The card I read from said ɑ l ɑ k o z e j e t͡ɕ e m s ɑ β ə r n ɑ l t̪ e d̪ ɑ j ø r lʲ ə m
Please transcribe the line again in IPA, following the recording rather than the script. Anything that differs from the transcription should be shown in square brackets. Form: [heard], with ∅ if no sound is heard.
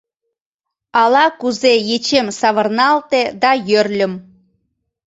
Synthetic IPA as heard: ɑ l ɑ k [u] z e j e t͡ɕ e m s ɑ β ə r n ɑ l t̪ e d̪ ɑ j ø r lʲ ə m

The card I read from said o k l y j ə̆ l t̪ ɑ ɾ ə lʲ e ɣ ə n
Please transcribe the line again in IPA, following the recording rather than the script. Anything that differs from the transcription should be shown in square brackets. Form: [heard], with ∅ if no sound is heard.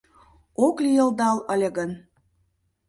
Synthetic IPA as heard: o k l [i] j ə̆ l [d̪] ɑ [l] ə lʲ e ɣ ə n

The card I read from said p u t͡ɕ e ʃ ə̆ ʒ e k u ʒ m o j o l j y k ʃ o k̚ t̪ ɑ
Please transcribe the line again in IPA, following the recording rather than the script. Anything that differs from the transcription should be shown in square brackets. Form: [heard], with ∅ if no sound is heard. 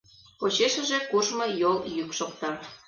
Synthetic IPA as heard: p [o] t͡ɕ e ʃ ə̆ ʒ e k u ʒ m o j o l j y k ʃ o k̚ t̪ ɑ

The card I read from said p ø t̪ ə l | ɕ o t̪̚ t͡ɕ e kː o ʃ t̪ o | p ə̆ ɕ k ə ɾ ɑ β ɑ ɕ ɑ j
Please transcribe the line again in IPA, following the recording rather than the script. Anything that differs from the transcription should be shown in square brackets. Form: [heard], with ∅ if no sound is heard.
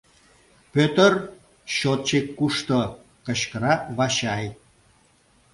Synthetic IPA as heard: p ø t̪ ə [r] | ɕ o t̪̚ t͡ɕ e kː [u] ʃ t̪ o | [k] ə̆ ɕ k ə ɾ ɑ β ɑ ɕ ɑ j

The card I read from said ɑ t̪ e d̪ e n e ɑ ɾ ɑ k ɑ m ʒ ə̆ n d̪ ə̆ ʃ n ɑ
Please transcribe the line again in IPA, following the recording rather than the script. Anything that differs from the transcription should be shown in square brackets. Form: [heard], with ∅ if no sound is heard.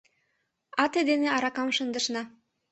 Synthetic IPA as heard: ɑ t̪ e d̪ e n e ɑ ɾ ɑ k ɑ m [ʃ] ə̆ n d̪ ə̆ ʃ n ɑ

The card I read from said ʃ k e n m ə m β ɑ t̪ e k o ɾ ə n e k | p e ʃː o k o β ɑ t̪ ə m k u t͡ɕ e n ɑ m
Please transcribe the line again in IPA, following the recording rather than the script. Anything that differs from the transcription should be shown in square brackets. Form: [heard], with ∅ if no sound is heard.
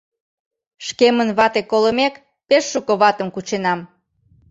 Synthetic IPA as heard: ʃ k e [∅] m ə [n] β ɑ t̪ e k o [l] ə [m] e k | p e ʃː [u] k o β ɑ t̪ ə m k u t͡ɕ e n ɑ m

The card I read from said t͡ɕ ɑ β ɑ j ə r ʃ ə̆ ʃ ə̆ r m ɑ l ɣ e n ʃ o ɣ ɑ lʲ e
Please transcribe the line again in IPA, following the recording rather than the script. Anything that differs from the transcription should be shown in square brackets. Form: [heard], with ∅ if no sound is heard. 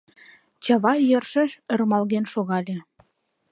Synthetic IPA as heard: t͡ɕ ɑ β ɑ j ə r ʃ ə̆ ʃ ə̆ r m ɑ l ɣ e n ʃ o ɣ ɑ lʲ e

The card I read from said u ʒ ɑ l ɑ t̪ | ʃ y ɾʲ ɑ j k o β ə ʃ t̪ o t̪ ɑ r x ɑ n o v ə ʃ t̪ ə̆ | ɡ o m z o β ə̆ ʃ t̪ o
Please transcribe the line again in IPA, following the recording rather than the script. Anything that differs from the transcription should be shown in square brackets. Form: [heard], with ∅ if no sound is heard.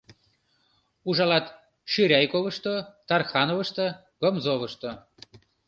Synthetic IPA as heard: u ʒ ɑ l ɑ t̪ | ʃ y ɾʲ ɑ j k o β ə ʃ t̪ o t̪ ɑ r x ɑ n o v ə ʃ t̪ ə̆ | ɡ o m z o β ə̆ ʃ t̪ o

